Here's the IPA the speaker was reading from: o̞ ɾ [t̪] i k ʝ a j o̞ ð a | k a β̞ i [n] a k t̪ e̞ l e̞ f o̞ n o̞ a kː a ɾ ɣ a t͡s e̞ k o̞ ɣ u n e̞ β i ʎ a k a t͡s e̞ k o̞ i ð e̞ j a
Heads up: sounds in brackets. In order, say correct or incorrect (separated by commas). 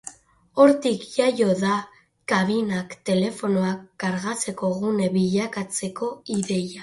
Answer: correct, correct